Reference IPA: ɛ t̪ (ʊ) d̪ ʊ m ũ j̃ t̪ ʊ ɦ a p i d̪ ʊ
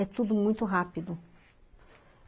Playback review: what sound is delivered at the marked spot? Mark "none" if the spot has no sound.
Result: u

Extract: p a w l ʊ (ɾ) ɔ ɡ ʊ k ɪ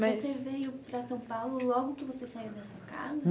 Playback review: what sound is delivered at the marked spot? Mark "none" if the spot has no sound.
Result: l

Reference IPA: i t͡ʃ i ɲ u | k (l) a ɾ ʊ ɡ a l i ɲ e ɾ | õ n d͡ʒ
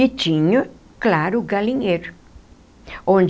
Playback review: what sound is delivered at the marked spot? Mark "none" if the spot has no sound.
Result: l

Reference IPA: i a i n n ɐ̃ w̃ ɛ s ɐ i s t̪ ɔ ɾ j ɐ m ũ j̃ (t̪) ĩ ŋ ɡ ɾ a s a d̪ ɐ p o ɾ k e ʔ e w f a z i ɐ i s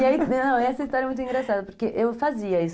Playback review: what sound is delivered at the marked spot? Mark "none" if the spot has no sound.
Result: t̪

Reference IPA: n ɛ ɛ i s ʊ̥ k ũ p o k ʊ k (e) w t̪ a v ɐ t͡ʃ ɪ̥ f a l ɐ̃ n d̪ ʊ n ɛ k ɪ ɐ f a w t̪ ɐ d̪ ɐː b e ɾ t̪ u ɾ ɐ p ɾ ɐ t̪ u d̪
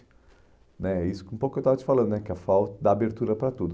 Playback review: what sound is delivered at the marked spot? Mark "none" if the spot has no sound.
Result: e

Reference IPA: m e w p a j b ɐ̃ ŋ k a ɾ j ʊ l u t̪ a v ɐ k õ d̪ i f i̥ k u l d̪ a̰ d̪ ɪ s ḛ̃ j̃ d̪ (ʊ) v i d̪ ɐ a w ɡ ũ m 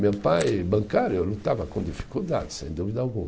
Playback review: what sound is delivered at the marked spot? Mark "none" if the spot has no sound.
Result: u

